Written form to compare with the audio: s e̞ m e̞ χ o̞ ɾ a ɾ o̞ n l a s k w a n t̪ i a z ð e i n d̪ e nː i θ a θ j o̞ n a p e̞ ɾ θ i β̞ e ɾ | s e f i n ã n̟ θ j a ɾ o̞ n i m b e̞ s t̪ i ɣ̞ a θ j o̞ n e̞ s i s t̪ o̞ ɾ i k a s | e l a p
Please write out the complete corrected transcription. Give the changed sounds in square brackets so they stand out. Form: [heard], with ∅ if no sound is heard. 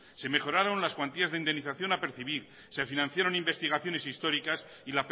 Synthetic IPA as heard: s e̞ m e̞ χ o̞ ɾ a ɾ o̞ n l a s k w a n t̪ i a z ð e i n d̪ e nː i θ a θ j o̞ n a p e̞ ɾ θ i β̞ [i] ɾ | s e f i n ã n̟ θ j a ɾ o̞ n i m b e̞ s t̪ i ɣ̞ a θ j o̞ n e̞ s i s t̪ o̞ ɾ i k a s | [i] l a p